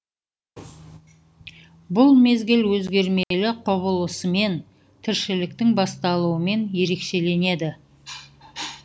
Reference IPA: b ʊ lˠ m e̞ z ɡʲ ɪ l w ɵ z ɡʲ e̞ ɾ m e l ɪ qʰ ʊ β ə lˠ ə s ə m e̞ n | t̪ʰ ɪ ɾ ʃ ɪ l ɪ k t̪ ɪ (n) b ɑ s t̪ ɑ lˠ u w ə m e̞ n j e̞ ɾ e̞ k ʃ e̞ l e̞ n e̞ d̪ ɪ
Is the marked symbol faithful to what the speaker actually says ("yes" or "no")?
no